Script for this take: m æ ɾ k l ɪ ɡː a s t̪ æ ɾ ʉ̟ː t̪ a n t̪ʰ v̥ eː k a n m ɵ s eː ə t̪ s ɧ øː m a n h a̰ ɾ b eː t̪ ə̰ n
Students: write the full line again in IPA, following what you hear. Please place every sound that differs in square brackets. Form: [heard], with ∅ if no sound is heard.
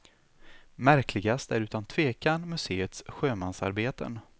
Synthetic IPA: m æ ɾ k l ɪ [ɡ] a s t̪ æ ɾ ʉ̟ː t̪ a n t̪ʰ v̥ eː k a n m ɵ s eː ə t̪ s ɧ øː m a n [s] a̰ ɾ b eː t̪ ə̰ n